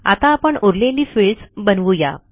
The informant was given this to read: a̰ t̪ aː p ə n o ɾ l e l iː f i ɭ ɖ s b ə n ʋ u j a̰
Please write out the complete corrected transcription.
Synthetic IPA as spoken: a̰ t̪ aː p ə ɳ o ɾ l e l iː f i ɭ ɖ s b ə n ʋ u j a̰